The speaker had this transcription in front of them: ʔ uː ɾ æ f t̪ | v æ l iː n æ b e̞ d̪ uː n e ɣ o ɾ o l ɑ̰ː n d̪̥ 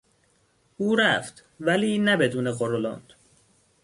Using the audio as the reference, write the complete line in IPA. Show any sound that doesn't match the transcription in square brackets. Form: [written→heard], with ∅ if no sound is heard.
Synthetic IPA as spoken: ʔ uː ɾ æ f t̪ | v æ l iː n æ b e̞ d̪ uː n e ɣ o ɾ o l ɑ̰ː n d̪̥

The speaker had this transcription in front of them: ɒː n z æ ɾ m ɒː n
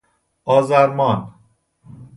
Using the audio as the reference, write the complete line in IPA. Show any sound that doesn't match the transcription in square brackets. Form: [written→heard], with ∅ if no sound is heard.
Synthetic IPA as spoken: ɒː [n→∅] z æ ɾ m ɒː n

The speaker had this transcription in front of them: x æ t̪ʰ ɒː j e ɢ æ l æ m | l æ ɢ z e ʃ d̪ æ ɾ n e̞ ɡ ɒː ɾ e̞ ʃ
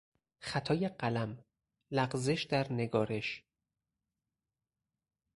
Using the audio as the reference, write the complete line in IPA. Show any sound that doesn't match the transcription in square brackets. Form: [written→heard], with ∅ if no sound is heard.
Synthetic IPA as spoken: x æ t̪ʰ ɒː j e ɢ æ l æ m | l æ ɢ z e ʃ d̪ æ ɾ n e̞ ɡ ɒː ɾ e̞ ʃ

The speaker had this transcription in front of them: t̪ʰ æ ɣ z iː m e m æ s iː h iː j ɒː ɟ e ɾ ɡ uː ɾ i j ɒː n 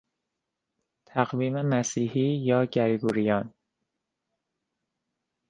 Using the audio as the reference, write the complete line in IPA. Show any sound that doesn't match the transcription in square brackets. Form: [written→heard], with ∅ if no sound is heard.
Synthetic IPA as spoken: t̪ʰ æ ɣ [z→v] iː m e m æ s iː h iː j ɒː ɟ [e→æ] ɾ ɡ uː ɾ i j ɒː n

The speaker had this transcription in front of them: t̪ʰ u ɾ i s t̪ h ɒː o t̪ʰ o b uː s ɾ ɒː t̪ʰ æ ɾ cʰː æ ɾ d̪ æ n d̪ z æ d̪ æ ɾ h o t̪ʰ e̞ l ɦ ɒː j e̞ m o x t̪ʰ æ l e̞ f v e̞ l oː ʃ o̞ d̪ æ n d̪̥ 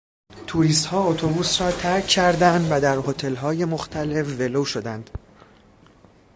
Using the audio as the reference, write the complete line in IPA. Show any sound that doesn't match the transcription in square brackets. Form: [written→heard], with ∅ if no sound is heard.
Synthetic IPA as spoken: t̪ʰ u ɾ i s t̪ h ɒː o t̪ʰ o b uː s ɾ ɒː t̪ʰ æ ɾ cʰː æ ɾ d̪ æ n d̪ [z→v] æ d̪ æ ɾ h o t̪ʰ e̞ l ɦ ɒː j e̞ m o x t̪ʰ æ l e̞ f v e̞ l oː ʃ o̞ d̪ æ n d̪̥

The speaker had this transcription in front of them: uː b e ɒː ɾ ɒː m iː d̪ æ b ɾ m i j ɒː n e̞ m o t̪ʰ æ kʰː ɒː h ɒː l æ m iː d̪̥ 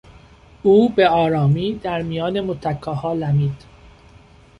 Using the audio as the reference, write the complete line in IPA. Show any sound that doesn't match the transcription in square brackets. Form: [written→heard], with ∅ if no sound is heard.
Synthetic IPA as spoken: uː b e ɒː ɾ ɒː m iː d̪ æ [b→∅] ɾ m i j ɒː n e̞ m o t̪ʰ æ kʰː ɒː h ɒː l æ m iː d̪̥

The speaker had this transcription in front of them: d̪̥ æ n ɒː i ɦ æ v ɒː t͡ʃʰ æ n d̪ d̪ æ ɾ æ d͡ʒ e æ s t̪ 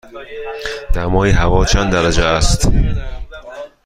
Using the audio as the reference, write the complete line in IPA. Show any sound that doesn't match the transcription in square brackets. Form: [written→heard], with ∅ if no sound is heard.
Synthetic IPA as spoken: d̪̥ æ [n→m] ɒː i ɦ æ v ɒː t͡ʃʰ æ n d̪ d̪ æ ɾ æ d͡ʒ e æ s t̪

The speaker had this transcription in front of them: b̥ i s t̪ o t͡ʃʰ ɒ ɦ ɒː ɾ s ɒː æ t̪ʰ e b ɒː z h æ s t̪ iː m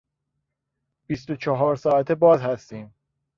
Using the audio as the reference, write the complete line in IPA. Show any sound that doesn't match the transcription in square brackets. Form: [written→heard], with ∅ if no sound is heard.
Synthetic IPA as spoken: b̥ i s t̪ o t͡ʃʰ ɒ ɦ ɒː ɾ s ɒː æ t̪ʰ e b ɒː z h æ s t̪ iː m

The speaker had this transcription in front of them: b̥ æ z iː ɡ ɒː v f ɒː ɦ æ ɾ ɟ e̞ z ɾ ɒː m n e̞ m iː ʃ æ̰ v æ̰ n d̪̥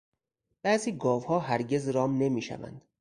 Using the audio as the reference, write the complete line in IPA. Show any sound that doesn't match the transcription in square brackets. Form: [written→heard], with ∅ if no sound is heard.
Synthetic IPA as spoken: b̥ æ z iː ɡ ɒː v [f→h] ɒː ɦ æ ɾ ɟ e̞ z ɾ ɒː m n e̞ m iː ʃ æ̰ v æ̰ n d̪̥

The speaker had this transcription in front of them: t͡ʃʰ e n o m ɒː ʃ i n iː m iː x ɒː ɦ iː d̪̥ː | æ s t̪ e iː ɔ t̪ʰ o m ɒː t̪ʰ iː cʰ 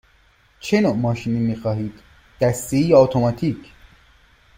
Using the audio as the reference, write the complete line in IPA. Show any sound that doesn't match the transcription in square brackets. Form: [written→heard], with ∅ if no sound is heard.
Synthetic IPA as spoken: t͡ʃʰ e n o m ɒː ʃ i n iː m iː x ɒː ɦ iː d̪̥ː | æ s t̪ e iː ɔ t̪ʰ o m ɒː t̪ʰ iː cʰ

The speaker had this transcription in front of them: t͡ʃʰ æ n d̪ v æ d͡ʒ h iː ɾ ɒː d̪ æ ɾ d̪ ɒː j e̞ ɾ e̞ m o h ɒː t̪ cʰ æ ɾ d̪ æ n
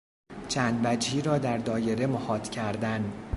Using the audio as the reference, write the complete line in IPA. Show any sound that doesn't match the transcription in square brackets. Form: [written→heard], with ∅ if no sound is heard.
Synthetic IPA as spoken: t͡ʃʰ æ n d̪ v æ d͡ʒ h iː ɾ ɒː d̪ æ ɾ d̪ ɒː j e̞ ɾ e̞ m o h ɒː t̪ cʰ æ ɾ d̪ æ n

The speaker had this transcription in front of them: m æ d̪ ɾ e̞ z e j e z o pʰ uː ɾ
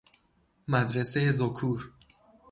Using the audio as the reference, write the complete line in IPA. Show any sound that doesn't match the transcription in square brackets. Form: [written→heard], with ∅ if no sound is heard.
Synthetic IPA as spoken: m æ d̪ ɾ e̞ [z→s] e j e z o [pʰ→kʰ] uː ɾ

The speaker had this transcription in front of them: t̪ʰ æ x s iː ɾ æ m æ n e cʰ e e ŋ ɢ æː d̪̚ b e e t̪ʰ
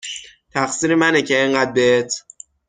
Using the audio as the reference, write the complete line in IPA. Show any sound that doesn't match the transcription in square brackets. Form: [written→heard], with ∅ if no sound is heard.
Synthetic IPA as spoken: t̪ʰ æ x s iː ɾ [æ→e] m æ n e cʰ e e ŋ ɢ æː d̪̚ b e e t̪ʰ

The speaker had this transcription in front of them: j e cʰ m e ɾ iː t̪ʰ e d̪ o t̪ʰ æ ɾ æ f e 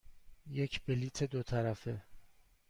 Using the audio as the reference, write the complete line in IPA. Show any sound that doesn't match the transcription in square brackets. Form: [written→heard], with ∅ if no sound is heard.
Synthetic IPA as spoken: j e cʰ [m→b] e [ɾ→l] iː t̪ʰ e d̪ o t̪ʰ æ ɾ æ f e

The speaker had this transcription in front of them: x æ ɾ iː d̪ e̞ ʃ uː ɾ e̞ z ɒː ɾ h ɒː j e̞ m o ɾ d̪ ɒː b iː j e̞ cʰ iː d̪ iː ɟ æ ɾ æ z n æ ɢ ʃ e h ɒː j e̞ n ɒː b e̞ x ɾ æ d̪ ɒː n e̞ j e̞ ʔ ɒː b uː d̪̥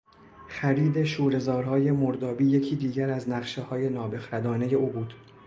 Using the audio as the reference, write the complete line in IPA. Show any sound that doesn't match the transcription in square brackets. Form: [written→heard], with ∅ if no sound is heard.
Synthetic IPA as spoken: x æ ɾ iː d̪ e̞ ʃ uː ɾ e̞ z ɒː ɾ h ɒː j e̞ m o ɾ d̪ ɒː b iː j e̞ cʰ iː d̪ iː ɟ æ ɾ æ z n æ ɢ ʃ e h ɒː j e̞ n ɒː b e̞ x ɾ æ d̪ ɒː n e̞ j e̞ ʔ [ɒː→uː] b uː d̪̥

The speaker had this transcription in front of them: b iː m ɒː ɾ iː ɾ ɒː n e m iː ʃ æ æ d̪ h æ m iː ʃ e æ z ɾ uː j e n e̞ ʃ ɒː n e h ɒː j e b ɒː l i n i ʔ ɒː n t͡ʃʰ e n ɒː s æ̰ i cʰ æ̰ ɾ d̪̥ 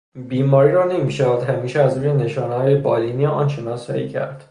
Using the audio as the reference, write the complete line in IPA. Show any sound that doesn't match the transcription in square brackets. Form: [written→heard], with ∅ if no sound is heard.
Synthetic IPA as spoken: b iː m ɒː ɾ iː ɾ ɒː n e m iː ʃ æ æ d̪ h æ m iː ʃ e æ z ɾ uː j e n e̞ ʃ ɒː n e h ɒː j e b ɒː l i n i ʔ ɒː n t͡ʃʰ e n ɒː s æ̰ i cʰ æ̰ ɾ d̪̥

